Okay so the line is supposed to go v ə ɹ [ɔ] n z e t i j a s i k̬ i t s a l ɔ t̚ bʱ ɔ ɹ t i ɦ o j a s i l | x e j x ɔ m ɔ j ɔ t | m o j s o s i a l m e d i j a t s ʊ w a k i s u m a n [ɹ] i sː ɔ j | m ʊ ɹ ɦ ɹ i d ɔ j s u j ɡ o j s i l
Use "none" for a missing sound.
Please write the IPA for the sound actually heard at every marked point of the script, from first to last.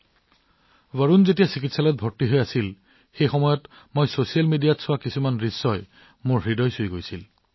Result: u, ɹ

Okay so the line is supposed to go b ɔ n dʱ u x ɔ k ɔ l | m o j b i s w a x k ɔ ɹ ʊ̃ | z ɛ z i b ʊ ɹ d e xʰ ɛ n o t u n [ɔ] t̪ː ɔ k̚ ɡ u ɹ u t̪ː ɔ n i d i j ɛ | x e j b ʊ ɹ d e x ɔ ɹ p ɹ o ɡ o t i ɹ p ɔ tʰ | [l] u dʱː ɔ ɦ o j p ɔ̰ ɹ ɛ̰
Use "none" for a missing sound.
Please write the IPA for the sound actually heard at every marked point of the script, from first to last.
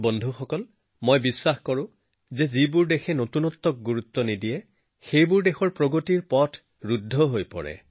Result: ɔ, ɹ

